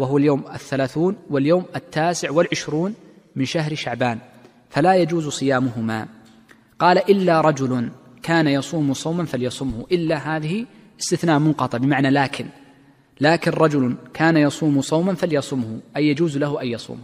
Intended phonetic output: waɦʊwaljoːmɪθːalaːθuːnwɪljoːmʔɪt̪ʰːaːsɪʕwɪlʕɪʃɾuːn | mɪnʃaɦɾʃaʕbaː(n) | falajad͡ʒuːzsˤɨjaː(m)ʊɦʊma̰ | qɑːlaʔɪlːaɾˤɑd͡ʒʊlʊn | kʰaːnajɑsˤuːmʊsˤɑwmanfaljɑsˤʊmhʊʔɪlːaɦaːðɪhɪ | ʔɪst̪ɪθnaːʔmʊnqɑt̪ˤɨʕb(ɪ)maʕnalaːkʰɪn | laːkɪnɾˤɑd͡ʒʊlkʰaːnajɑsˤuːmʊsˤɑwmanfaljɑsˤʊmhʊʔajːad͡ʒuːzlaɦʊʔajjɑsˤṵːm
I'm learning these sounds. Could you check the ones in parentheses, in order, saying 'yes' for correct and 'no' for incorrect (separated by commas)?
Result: yes, yes, yes